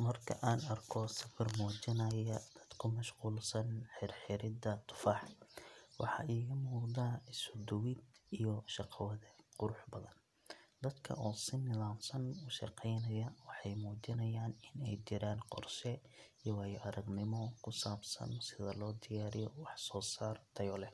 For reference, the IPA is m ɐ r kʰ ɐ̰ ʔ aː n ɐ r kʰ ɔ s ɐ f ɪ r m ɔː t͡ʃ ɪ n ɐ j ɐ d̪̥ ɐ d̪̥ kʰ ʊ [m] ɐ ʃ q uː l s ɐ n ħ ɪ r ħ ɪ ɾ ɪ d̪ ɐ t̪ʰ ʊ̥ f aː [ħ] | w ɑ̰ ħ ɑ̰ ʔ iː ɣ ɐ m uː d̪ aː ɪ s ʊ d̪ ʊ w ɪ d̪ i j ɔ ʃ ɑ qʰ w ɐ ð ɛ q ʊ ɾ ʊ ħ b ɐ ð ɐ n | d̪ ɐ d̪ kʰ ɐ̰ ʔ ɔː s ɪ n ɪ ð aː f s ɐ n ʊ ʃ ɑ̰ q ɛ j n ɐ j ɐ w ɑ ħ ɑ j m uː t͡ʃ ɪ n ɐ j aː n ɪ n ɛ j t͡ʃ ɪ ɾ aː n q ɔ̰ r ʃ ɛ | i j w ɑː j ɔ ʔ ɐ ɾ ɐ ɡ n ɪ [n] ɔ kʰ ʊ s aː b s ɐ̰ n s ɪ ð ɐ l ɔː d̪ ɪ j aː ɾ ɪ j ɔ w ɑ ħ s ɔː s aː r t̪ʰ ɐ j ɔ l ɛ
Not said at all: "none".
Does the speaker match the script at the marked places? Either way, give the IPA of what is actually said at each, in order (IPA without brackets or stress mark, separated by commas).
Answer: m, ħ, m